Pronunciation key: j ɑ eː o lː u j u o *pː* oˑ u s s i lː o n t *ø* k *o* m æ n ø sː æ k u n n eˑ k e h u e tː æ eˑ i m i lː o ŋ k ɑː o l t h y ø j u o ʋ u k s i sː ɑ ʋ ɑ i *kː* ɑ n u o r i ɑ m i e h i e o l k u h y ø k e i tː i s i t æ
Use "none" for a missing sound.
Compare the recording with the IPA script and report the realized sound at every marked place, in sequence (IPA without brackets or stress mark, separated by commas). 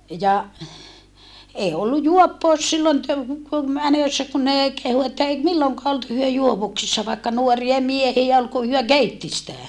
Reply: pː, ø, u, kː